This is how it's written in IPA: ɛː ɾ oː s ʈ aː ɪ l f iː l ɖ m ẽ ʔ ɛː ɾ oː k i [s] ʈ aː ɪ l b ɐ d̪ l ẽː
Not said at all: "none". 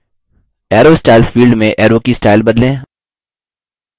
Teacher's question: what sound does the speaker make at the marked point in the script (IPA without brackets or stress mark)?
s